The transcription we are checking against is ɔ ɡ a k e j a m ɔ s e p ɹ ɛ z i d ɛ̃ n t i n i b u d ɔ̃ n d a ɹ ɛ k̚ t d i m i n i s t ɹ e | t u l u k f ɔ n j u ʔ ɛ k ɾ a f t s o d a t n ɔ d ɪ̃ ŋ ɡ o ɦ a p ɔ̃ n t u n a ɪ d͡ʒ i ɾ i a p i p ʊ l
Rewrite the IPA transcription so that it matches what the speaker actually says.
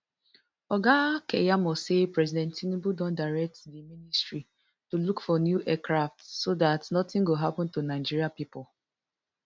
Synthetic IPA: ɔ ɡ a k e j a m ɔ s e p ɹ ɛ z i d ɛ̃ n t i n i b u d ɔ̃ n d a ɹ ɛ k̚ t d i m i n i s t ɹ i | t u l u k f ɔ n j u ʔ ɛ k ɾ a f t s o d a t n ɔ t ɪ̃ ŋ ɡ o ɦ a p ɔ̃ n t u n a ɪ d͡ʒ i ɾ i a p i p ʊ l